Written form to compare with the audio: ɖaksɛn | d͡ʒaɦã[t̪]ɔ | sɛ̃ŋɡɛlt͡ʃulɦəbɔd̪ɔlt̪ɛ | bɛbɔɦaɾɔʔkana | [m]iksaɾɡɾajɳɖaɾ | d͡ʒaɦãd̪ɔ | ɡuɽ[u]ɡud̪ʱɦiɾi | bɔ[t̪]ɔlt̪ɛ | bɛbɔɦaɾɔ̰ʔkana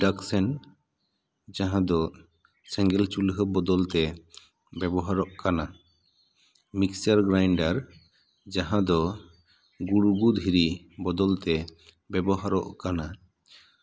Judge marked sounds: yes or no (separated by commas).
no, yes, yes, no